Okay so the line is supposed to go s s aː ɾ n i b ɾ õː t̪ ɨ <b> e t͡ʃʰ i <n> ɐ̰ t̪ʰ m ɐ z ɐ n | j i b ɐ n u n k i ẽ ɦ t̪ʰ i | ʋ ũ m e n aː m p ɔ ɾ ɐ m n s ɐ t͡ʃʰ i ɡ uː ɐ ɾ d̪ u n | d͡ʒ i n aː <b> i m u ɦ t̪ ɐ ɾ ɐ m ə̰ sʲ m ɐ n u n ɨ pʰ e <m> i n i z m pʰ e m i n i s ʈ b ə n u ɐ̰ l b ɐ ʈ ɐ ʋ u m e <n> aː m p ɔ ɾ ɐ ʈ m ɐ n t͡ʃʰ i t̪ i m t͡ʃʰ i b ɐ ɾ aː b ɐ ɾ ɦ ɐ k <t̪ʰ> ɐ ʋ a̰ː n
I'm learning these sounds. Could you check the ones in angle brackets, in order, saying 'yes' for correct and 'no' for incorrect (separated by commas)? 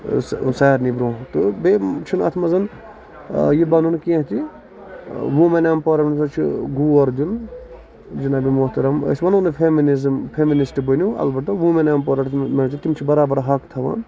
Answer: yes, yes, yes, yes, yes, yes